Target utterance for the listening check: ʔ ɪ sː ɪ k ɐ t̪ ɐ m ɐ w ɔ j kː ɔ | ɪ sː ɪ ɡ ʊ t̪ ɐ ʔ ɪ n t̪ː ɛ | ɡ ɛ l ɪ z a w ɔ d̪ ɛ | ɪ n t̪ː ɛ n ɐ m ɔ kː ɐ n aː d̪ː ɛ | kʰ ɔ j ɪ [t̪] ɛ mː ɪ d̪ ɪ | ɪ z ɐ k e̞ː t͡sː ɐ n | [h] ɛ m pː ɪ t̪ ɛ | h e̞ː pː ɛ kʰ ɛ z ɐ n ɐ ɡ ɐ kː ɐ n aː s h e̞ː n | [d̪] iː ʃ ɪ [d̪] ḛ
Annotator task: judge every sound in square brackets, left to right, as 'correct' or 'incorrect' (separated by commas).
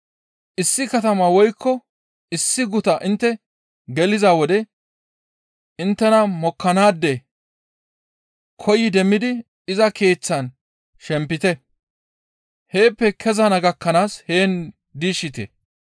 incorrect, incorrect, correct, incorrect